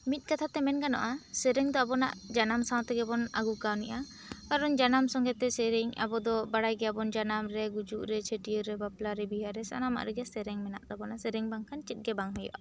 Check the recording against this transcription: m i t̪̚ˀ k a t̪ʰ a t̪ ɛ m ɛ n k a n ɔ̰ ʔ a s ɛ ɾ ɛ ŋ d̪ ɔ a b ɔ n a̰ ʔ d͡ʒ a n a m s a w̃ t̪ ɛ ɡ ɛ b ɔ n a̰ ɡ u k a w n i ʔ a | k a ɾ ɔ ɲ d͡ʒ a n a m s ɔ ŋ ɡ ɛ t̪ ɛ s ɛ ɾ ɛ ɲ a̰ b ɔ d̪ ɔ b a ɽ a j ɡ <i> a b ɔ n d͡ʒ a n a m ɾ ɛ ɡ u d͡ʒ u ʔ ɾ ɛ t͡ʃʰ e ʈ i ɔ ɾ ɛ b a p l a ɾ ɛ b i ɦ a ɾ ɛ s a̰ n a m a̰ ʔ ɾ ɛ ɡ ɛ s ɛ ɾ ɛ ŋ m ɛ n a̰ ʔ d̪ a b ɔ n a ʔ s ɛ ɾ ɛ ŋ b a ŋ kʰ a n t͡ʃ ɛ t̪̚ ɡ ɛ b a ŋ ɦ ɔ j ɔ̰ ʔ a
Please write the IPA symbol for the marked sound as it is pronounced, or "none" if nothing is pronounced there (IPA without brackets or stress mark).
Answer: ɛ